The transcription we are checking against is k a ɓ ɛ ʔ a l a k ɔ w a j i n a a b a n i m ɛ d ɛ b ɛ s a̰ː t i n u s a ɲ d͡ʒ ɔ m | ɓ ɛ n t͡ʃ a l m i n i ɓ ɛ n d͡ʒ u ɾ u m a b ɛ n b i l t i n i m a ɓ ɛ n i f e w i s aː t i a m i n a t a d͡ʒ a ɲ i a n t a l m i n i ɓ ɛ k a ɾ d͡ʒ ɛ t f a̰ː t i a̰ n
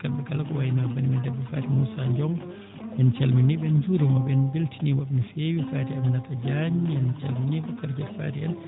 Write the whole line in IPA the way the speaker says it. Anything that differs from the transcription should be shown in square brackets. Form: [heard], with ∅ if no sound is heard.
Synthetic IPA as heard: k a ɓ ɛ [k] a l a k ɔ w a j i n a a b a n i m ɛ d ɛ b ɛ [f] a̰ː t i [m] u s a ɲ d͡ʒ ɔ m | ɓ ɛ n t͡ʃ a l m i n i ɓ ɛ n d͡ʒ u ɾ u m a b ɛ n b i l t i n i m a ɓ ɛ n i f e w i [f] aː t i a m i n a t a d͡ʒ a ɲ i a n [t͡ʃ] a l m i n i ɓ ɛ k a ɾ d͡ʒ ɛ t f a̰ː t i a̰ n